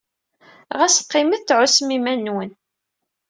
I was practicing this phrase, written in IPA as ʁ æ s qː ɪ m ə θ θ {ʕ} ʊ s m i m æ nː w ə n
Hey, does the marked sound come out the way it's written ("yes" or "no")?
yes